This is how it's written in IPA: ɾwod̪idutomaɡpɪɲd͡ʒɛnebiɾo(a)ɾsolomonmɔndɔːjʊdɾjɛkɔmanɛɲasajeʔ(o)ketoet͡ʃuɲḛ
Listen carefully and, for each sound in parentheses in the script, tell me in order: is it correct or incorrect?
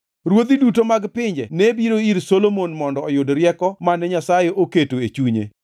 incorrect: i, correct

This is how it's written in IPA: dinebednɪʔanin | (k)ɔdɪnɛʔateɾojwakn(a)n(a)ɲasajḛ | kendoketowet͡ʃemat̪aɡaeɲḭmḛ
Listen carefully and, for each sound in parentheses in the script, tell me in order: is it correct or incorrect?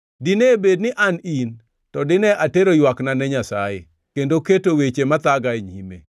incorrect: t, correct, incorrect: ɛ

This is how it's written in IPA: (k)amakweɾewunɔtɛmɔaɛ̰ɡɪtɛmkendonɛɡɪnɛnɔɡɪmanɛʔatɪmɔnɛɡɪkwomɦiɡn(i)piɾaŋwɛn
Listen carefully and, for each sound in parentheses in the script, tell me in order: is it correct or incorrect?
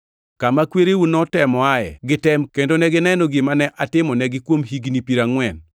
correct, correct

